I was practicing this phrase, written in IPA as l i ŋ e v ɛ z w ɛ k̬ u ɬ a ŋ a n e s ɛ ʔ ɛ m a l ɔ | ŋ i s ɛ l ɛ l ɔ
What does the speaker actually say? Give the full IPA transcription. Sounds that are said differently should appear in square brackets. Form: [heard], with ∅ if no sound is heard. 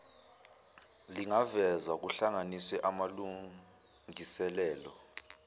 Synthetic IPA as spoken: l i ŋ [a] v ɛ z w [a] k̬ u ɬ a ŋ a n [i] s ɛ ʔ [a] m a l [u] | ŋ i s ɛ l [ɛː] l ɔ

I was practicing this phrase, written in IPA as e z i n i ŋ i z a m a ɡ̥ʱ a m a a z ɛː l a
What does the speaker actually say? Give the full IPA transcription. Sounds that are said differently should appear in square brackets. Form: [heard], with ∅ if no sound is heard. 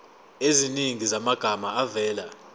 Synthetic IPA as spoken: e z i n i ŋ i z a m a ɡ̥ʱ a m a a [v] ɛː l a

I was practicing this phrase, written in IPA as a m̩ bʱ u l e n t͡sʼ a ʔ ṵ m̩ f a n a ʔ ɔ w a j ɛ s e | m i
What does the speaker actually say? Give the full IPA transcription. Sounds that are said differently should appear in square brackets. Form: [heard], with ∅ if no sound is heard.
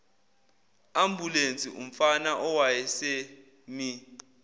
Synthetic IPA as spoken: a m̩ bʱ u l e n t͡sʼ [i] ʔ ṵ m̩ f a n a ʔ ɔ w a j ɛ s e | m i

